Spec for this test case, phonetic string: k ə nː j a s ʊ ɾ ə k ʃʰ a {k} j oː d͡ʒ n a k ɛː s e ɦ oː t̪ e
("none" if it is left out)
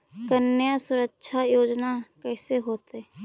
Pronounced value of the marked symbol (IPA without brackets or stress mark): none